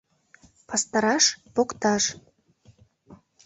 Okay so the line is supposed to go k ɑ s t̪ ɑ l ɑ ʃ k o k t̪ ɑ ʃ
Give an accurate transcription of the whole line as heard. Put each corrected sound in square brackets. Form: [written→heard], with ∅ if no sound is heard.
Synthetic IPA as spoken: [k→p] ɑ s t̪ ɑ [l→ɾ] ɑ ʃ [k→p] o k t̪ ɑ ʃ